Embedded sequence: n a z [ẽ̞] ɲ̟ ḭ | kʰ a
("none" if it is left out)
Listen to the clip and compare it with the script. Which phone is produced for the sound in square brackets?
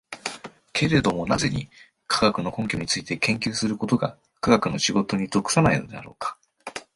e̞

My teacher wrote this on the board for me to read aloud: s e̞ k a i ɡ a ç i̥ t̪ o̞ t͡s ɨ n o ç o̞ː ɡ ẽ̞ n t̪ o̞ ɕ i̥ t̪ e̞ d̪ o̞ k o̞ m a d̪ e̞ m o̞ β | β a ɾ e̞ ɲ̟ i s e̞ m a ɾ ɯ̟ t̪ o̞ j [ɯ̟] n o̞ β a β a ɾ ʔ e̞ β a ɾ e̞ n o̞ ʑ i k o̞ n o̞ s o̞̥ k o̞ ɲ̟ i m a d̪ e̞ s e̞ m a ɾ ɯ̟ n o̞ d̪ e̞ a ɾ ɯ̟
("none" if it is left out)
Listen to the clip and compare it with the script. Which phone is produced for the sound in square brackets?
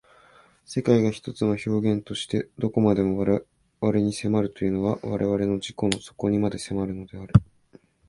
ɯ̟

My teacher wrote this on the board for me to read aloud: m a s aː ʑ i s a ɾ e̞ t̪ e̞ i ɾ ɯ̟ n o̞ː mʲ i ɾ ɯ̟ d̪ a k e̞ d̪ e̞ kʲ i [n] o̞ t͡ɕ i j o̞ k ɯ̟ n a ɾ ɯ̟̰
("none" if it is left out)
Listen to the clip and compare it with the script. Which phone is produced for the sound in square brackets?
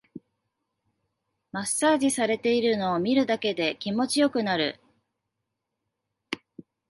m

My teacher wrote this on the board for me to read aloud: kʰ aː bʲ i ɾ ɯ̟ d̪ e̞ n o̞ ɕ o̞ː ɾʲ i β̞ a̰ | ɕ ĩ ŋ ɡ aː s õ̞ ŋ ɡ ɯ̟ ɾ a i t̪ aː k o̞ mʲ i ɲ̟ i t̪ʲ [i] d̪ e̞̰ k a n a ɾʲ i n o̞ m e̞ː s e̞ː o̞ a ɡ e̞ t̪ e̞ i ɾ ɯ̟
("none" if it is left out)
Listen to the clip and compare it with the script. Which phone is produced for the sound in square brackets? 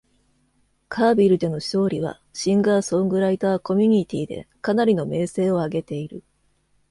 iː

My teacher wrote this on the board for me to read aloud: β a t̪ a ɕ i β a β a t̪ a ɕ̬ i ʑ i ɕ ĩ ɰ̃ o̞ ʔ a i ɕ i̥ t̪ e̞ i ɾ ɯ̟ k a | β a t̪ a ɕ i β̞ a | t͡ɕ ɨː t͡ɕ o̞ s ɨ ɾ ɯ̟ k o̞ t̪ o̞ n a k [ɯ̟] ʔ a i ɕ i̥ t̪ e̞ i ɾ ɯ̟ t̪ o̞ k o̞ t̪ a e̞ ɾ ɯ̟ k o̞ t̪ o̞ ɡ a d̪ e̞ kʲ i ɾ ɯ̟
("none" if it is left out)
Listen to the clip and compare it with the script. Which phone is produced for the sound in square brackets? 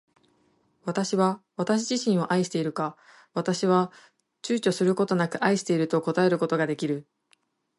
ɯ̟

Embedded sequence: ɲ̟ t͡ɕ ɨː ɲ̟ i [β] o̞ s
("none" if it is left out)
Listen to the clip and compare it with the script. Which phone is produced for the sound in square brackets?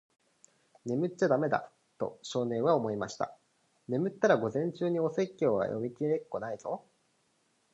none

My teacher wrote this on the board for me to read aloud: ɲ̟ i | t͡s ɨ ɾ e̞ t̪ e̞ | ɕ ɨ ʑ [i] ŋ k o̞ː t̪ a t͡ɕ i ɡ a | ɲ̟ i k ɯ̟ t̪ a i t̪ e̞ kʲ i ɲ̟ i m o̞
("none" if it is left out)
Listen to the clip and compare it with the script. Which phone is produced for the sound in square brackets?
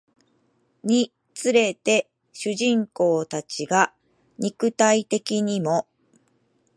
ĩ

